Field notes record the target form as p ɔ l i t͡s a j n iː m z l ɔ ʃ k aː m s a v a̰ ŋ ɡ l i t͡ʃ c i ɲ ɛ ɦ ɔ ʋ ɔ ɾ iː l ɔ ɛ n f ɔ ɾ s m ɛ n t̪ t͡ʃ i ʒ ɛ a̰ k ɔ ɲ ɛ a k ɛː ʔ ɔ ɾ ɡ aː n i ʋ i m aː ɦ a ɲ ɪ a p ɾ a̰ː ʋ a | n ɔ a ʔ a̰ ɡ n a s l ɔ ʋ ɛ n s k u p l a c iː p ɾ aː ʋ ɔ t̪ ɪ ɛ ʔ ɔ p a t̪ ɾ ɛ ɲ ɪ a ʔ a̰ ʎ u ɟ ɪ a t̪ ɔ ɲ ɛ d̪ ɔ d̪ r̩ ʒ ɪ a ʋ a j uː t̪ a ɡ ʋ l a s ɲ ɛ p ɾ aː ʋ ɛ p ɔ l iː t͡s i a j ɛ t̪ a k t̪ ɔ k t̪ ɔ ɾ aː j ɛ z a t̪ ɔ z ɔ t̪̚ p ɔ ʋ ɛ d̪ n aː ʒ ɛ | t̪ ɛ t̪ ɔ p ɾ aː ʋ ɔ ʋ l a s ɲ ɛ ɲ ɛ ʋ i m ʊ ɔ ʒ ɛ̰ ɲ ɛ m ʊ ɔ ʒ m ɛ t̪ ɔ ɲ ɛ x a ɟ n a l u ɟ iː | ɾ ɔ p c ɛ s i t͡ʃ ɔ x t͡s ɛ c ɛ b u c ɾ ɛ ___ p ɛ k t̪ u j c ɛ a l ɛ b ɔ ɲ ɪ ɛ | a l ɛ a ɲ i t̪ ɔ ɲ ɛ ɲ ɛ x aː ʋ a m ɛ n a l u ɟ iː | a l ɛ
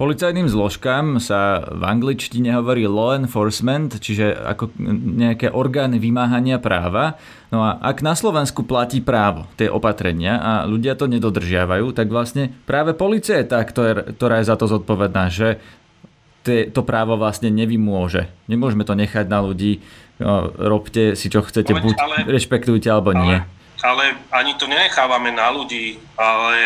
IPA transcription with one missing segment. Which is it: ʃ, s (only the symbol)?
ʃ